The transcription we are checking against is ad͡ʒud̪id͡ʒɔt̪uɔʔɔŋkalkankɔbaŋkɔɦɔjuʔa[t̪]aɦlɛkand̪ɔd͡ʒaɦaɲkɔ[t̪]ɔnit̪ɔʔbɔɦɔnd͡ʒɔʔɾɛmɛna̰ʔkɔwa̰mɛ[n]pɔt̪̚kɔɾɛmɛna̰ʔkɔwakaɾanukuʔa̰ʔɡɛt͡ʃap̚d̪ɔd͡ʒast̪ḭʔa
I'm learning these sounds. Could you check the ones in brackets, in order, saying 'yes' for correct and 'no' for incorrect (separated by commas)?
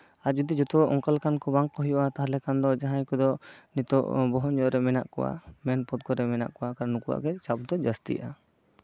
yes, no, yes